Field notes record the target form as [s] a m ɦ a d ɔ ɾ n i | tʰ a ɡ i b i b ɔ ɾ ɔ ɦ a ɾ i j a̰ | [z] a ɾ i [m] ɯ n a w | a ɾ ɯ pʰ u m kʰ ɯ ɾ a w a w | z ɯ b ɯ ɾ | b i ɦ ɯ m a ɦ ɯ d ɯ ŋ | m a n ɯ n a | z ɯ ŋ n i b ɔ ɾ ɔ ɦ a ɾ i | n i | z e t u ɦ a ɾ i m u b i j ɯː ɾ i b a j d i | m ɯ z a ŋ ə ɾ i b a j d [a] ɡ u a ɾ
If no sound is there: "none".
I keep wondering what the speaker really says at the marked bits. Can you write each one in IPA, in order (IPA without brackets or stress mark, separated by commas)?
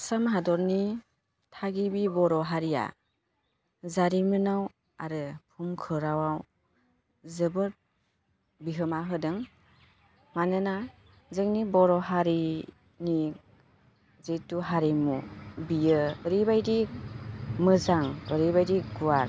s, z, m, i